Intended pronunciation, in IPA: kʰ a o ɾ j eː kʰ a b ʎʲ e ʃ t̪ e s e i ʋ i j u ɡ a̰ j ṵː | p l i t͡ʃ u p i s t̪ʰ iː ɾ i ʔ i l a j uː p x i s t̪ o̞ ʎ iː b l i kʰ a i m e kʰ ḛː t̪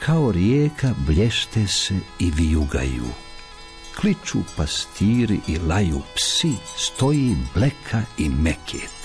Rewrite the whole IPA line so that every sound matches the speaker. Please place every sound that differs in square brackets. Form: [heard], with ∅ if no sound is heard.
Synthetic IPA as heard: kʰ a o ɾ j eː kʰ a b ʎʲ e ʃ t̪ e s e i ʋ i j u ɡ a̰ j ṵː | [k] l i t͡ʃ u p [a] s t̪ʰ iː ɾ i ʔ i l a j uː p [s] i s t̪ o̞ [j] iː b l [e] kʰ a i m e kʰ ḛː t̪